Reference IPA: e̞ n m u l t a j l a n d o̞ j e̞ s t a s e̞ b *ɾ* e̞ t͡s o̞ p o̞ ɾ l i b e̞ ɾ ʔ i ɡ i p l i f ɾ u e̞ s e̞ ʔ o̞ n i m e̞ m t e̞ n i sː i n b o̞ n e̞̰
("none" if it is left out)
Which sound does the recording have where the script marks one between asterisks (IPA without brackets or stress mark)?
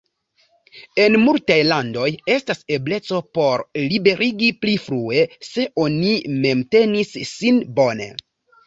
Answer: l